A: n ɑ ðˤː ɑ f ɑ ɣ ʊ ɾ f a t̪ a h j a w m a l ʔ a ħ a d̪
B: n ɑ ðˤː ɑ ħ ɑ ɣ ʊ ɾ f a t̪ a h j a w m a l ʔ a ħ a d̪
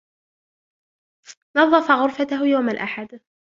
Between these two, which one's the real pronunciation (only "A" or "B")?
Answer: A